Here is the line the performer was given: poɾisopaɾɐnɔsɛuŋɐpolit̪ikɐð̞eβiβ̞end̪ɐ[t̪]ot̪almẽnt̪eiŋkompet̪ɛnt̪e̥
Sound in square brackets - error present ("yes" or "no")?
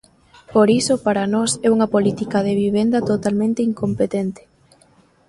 no